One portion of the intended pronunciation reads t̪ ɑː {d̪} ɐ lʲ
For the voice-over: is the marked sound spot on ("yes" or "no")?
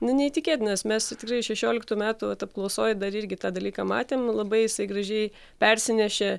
yes